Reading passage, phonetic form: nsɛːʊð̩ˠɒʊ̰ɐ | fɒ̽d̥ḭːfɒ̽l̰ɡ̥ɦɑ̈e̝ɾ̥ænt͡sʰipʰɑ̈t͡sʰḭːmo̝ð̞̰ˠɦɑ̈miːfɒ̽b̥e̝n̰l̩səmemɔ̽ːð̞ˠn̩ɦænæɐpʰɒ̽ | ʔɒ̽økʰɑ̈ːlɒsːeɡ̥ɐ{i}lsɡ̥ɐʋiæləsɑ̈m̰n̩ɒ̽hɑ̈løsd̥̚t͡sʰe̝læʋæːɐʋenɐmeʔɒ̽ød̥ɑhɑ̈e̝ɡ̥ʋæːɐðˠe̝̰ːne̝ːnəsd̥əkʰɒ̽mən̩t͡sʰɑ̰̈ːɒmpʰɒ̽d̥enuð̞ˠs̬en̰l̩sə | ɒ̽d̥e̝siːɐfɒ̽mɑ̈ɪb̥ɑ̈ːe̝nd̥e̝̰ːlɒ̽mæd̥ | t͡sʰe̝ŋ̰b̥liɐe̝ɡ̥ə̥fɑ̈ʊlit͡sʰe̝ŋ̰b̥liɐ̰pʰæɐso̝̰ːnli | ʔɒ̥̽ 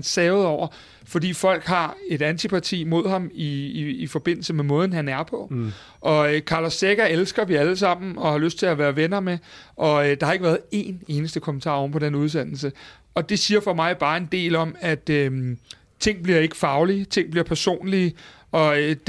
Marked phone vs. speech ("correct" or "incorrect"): incorrect